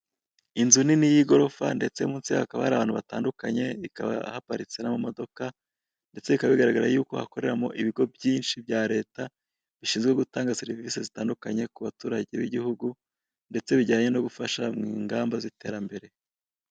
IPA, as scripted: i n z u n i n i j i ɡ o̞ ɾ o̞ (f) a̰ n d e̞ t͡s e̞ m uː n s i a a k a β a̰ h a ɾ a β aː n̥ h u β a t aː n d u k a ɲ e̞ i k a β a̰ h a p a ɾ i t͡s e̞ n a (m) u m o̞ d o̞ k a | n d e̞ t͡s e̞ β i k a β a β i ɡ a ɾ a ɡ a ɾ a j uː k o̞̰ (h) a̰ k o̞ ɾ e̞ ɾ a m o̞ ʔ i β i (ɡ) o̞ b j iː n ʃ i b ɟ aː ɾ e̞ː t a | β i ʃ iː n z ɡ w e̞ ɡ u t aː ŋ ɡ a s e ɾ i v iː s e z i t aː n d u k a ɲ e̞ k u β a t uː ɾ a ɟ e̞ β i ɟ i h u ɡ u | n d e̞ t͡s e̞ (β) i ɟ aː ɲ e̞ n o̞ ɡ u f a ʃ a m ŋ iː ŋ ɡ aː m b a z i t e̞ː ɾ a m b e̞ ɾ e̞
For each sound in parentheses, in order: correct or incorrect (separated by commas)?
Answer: correct, correct, correct, correct, correct